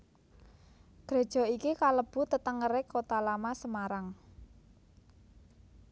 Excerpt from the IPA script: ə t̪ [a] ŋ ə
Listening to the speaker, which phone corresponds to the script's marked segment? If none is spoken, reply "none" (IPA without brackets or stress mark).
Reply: ə